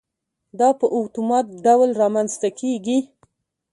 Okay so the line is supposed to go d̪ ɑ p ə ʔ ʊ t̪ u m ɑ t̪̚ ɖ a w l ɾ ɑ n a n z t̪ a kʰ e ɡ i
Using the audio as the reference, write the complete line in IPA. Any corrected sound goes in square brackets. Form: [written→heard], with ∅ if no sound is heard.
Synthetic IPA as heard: d̪ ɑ p ə ʔ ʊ t̪ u m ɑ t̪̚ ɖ a w l ɾ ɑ [n→m] a n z t̪ a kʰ e ɡ i